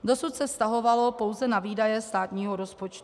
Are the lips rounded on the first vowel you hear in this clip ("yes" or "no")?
yes